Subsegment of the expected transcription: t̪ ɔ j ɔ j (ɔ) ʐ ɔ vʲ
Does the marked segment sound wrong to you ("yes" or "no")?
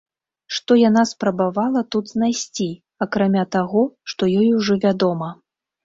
yes